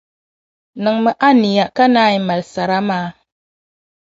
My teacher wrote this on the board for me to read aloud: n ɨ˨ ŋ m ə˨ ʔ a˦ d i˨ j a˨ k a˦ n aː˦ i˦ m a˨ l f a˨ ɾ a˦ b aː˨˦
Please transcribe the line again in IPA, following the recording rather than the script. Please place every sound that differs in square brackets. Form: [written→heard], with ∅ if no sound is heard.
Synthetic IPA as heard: n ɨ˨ ŋ m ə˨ ʔ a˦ [d→n] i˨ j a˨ k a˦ n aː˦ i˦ m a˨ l [f→s] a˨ ɾ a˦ [b→m] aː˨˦

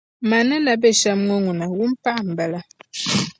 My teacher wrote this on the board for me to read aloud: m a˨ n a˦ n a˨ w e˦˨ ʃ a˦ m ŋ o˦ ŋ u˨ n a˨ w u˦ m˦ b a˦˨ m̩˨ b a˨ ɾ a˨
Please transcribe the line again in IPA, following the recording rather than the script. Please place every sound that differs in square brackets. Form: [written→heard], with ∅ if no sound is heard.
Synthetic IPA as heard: m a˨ n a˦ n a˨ [w→b] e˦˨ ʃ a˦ m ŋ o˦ ŋ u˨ n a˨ w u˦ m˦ [b→p] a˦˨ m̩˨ b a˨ [ɾ→l] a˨

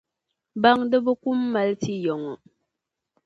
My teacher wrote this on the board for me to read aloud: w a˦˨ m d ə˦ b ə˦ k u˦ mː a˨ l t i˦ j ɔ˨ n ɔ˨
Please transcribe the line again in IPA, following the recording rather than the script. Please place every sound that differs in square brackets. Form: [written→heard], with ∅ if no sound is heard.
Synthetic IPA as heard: [w→b] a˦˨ [m→ŋ] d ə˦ b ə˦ k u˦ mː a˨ l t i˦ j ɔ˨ [n→ŋ] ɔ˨

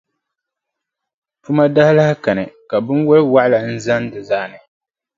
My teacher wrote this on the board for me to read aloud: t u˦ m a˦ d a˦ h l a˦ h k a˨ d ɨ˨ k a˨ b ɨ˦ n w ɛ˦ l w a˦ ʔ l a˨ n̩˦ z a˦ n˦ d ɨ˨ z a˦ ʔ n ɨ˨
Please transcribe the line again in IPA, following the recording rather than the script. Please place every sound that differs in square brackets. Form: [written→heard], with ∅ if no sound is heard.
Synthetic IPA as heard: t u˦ m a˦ d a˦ h l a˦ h k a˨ [d→n] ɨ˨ k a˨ b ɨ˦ n w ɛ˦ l w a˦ ʔ l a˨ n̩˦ z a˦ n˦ d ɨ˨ z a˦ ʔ n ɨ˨

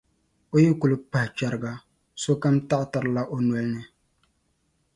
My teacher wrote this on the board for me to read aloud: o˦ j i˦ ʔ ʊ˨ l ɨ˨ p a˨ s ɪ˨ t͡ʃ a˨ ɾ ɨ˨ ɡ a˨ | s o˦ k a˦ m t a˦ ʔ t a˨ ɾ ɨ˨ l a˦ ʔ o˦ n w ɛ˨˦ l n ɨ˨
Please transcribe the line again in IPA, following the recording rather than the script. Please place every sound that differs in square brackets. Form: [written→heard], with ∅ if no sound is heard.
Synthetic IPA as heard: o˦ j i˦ [ʔ→k] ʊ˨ l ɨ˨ p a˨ [s→h] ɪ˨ t͡ʃ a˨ ɾ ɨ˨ ɡ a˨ | s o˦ k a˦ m t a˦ ʔ t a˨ ɾ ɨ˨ l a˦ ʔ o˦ n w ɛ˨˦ l n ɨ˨

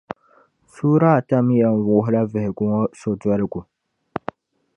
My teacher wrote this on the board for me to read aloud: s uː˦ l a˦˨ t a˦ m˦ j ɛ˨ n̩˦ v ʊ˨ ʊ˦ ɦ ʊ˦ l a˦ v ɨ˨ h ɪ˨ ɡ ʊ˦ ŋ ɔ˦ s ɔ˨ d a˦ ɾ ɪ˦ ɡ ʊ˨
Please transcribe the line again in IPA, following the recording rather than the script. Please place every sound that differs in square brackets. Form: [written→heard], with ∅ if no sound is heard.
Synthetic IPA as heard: s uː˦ [l→ɾ] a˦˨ t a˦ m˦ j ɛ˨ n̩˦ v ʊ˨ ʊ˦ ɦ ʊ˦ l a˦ v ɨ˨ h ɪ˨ ɡ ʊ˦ ŋ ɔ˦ s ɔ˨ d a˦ ɾ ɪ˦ ɡ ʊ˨

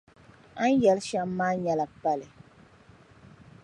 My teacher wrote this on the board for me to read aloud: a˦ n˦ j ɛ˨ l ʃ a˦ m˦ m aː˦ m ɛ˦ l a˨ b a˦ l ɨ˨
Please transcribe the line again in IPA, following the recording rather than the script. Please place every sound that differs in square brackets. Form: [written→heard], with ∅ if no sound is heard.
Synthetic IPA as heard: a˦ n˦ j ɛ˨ l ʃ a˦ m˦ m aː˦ [m→ɲ] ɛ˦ l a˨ [b→p] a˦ l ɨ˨

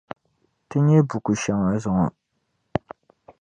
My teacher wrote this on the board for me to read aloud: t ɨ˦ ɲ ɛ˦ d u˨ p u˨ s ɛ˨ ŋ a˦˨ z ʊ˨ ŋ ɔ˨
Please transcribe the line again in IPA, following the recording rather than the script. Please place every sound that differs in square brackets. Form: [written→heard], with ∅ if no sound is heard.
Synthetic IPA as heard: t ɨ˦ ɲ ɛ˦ [d→b] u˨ [p→k] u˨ [s→ʃ] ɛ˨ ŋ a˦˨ z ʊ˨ ŋ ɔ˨

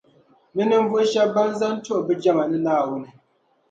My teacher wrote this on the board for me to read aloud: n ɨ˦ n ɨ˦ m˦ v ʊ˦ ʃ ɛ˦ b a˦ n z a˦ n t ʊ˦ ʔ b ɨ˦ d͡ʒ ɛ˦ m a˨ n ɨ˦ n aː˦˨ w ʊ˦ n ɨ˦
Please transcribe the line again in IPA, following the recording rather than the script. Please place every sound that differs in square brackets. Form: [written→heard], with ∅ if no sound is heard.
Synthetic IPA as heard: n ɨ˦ n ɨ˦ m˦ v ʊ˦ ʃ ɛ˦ b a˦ n z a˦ n t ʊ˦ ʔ b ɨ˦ d͡ʒ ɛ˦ m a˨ n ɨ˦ n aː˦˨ w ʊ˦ n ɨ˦

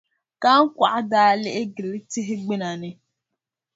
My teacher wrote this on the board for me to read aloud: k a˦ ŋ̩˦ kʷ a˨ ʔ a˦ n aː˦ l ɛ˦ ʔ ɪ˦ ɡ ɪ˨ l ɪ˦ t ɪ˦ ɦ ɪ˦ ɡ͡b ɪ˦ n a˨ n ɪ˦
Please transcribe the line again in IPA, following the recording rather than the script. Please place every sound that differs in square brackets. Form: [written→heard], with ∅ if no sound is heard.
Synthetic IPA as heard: k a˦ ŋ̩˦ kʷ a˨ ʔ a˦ [n→d] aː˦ l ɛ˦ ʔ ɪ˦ ɡ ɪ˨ l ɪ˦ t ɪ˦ ɦ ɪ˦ ɡ͡b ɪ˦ n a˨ n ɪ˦

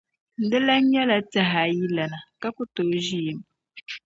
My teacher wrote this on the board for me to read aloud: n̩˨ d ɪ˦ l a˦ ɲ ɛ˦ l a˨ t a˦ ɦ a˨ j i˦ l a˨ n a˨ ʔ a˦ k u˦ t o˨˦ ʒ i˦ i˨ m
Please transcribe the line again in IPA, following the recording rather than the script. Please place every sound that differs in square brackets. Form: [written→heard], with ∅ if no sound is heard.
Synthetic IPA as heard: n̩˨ d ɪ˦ l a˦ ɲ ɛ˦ l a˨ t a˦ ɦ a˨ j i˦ l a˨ n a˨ [ʔ→k] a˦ k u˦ t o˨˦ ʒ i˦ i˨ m

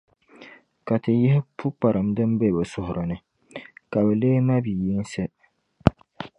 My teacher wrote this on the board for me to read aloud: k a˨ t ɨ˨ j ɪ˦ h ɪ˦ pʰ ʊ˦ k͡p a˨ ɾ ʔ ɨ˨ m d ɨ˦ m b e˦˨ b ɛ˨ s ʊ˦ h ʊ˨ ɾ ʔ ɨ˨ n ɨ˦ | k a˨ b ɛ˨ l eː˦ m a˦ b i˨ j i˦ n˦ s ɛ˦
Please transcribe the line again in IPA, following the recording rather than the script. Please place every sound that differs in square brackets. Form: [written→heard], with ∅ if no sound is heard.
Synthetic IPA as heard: k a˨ t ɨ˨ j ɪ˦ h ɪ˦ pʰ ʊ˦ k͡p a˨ ɾ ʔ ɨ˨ m d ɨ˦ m b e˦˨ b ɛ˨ s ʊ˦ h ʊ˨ ɾ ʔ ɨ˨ n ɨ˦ | k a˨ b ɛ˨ l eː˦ m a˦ b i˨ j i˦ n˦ s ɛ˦

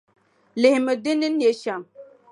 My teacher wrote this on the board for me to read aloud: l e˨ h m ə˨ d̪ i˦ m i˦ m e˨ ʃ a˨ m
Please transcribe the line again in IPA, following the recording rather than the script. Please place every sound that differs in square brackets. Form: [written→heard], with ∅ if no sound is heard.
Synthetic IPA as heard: l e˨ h m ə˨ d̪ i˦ [m→n] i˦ [m→n] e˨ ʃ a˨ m

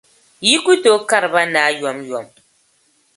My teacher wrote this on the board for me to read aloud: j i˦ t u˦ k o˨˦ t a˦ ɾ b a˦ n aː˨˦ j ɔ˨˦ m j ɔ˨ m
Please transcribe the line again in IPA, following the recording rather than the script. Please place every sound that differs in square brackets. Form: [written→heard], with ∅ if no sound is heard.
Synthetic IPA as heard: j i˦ [t→k] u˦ [k→t] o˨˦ [t→k] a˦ ɾ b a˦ n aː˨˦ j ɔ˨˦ m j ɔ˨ m

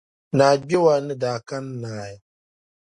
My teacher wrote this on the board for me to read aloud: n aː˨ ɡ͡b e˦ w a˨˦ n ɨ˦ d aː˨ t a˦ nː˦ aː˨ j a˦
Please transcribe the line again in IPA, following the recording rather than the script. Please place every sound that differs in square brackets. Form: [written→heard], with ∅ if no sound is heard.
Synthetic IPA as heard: n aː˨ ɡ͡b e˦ w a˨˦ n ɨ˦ d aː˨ [t→k] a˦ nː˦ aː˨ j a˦

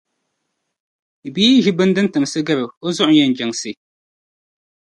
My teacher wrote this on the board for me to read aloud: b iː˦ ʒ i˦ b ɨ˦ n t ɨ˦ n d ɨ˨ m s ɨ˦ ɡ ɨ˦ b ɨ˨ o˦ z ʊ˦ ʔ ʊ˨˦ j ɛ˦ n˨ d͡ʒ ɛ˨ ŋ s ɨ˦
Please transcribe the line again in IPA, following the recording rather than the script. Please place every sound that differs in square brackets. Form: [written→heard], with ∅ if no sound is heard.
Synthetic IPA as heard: b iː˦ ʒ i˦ b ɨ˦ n [t→d] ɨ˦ n [d→t] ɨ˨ m s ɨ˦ ɡ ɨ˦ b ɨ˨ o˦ z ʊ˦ ʔ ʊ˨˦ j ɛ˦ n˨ d͡ʒ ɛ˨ ŋ s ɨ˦

